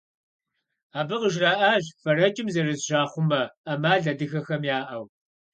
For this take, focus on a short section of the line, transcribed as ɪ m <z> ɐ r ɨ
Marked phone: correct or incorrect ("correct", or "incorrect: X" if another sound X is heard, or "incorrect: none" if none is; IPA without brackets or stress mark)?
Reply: correct